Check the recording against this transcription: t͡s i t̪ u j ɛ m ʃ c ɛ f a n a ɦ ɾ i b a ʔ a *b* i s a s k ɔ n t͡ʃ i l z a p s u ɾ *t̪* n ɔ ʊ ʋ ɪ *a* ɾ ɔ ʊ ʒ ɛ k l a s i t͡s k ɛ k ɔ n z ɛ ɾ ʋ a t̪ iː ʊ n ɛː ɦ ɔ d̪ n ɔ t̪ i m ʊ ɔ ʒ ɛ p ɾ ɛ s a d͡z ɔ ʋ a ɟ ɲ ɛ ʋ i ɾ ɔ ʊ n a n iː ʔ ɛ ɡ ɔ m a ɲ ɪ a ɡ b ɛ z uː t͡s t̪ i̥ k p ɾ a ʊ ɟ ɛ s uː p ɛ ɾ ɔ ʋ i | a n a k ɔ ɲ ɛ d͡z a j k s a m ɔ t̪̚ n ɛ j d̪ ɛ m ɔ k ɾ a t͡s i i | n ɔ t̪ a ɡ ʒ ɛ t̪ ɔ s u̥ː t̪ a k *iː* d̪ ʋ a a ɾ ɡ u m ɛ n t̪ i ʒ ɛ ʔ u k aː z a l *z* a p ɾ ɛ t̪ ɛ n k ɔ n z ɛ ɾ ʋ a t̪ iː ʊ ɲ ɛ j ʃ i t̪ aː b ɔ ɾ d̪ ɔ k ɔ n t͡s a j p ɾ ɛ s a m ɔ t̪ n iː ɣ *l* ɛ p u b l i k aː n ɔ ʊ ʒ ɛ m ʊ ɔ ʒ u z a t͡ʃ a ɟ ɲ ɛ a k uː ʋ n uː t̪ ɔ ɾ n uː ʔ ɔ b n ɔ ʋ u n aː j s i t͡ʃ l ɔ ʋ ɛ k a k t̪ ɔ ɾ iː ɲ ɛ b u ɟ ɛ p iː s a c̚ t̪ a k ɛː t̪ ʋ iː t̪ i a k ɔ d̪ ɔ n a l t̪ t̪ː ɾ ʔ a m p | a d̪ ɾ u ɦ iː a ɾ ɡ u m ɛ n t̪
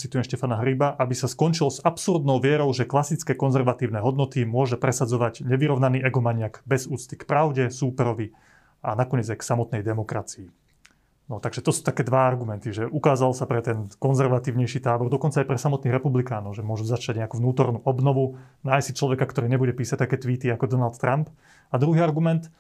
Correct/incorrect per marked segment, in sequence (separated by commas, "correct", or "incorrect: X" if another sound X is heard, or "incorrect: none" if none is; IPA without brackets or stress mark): correct, incorrect: d̪, incorrect: ɛ, incorrect: ɛː, incorrect: s, incorrect: ɾ